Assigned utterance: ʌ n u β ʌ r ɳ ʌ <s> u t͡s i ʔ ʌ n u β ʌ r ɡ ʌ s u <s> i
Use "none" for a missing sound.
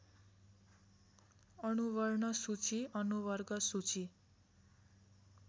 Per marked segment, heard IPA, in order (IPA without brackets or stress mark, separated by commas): s, t͡s